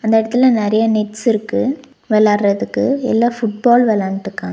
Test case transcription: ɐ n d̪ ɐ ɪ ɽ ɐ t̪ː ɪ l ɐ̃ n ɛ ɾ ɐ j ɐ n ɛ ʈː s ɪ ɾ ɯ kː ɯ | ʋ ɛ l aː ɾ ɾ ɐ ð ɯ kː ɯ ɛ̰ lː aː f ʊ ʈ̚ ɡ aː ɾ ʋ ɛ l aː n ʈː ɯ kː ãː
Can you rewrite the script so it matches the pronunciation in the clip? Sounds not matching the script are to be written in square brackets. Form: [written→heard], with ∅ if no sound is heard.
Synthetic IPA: ɐ n d̪ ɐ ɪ ɽ ɐ t̪ː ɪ l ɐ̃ n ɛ ɾ ɐ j ɐ n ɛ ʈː s ɪ ɾ ɯ kː ɯ | ʋ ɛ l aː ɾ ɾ ɐ ð ɯ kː ɯ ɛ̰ lː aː f ʊ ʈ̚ [ɡ→b] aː [ɾ→l] ʋ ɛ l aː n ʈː ɯ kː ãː